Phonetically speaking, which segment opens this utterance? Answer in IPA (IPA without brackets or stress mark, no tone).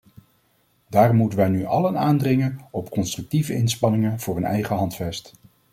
d